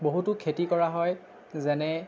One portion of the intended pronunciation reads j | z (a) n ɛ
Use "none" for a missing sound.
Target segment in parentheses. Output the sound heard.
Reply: ɛ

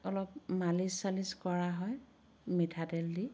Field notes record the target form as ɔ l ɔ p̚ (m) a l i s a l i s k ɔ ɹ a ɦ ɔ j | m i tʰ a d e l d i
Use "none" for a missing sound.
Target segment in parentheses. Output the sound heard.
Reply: m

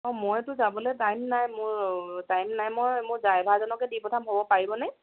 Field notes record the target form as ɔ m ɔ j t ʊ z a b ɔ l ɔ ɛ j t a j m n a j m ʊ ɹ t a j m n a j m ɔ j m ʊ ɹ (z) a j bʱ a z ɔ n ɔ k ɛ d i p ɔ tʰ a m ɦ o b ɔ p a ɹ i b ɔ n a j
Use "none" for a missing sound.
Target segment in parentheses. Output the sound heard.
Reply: z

